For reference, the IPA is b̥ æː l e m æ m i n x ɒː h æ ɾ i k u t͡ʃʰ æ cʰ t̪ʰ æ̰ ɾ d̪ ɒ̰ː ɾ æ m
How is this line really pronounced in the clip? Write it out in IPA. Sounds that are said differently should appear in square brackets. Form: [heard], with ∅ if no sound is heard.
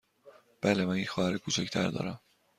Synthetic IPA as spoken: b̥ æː l e m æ [n] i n x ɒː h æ ɾ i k u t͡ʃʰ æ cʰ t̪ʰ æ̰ ɾ d̪ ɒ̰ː ɾ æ m